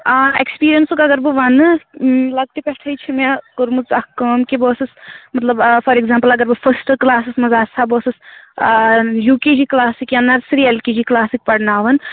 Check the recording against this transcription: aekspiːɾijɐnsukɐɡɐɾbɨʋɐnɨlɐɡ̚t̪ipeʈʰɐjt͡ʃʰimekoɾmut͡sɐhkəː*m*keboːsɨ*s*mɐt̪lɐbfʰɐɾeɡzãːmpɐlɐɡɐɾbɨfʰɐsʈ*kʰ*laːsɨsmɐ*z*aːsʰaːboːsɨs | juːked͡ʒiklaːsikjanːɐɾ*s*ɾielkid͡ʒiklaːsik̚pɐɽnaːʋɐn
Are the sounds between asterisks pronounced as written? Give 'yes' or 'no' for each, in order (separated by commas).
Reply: yes, yes, no, yes, yes